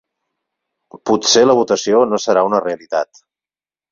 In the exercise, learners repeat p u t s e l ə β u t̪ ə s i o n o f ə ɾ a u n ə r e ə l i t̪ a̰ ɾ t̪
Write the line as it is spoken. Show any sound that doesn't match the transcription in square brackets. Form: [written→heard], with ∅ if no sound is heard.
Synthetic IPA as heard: p u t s e l ə β u t̪ ə s i o n o [f→s] ə ɾ a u n ə r e ə l i t̪ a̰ [ɾ→∅] t̪